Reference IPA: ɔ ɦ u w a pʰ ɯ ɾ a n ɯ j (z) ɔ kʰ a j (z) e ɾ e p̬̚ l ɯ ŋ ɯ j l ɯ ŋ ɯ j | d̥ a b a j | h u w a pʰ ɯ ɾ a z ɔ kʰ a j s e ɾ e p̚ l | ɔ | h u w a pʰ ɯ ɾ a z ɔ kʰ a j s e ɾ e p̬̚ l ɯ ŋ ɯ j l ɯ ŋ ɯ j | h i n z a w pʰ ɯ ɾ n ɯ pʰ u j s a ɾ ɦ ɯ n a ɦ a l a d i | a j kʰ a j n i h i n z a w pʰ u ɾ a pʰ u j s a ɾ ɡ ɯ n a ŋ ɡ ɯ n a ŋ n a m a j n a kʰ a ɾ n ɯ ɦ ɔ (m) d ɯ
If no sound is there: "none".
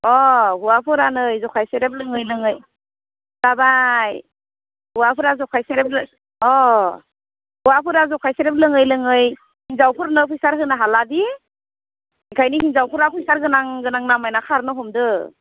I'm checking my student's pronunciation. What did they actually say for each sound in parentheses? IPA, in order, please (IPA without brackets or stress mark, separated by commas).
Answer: z, s, m